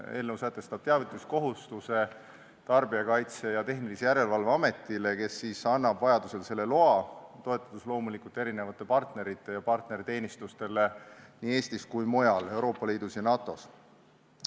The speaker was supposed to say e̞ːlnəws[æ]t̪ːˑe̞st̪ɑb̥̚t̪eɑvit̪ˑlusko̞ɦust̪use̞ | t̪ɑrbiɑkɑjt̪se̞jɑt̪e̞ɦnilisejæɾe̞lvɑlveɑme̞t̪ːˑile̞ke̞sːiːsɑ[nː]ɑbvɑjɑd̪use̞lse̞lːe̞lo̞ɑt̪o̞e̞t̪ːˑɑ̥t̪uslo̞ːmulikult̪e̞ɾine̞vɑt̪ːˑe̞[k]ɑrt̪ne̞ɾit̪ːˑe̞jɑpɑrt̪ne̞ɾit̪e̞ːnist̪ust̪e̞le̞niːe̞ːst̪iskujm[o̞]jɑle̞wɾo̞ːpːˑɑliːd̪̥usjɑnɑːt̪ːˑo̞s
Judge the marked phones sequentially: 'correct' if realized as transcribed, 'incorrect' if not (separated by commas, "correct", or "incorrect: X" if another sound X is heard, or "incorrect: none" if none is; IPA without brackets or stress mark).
correct, correct, incorrect: p, correct